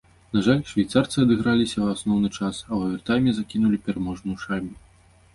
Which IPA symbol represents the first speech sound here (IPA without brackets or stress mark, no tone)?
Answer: n̪